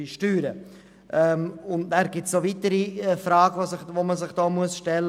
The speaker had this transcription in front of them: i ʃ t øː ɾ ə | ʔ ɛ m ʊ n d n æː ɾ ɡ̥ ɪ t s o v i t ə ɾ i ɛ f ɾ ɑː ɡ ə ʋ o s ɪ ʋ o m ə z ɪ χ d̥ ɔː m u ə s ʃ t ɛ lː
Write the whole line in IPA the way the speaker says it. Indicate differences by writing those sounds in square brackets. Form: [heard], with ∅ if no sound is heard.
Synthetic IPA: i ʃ t [yː] ɾ ə | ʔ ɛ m ʊ n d n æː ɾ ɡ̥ ɪ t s o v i t ə ɾ i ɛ f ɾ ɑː ɡ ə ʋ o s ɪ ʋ o m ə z ɪ χ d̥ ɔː m u ə s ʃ t ɛ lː